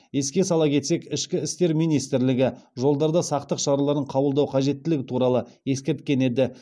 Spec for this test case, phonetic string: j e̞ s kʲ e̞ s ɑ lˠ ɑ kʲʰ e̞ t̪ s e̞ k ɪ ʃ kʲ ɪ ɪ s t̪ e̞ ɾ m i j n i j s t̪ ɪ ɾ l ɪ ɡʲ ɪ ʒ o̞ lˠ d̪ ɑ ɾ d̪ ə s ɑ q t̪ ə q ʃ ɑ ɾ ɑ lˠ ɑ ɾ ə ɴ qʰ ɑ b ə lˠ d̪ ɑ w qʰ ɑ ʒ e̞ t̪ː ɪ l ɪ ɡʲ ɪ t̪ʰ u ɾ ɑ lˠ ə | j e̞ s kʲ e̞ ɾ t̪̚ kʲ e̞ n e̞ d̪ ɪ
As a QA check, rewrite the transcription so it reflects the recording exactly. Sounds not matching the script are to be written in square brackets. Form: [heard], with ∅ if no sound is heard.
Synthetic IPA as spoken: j e̞ s kʲ e̞ s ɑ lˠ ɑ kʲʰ e̞ t̪ s e̞ k ɪ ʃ kʲ ɪ ɪ s t̪ e̞ ɾ m i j n i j s t̪ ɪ ɾ l ɪ ɡʲ ɪ ʒ o̞ lˠ d̪ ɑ ɾ d̪ [ɑ] s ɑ q t̪ ə q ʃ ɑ ɾ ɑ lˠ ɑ ɾ ə ɴ qʰ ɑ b ə lˠ d̪ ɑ w qʰ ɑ ʒ e̞ t̪ː ɪ l ɪ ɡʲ ɪ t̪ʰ u ɾ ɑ lˠ ə | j e̞ s kʲ e̞ ɾ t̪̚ kʲ e̞ n e̞ d̪ ɪ

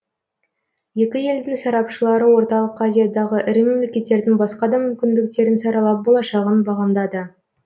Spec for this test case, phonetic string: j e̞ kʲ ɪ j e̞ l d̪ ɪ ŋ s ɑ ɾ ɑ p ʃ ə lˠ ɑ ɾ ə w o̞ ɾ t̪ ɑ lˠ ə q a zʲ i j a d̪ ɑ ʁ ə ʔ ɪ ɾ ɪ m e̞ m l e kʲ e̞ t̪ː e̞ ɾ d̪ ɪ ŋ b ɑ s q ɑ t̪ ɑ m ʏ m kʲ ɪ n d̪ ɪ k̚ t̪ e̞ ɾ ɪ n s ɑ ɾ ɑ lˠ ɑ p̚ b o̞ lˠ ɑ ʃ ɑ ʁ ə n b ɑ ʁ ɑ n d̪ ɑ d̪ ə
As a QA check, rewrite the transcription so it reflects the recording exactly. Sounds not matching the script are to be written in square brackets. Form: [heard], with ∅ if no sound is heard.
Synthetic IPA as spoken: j e̞ kʲ ɪ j e̞ l d̪ ɪ ŋ s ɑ ɾ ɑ p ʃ ə lˠ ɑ ɾ ə w o̞ ɾ t̪ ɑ lˠ ə q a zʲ i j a d̪ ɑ ʁ ə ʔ ɪ ɾ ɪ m e̞ m l e kʲ e̞ t̪ː e̞ ɾ d̪ ɪ ŋ b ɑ s q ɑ [d̪] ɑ m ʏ m kʲ ɪ n d̪ ɪ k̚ t̪ e̞ ɾ ɪ n s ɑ ɾ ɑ lˠ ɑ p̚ b o̞ lˠ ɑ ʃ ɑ ʁ ə n b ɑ ʁ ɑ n d̪ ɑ d̪ ə

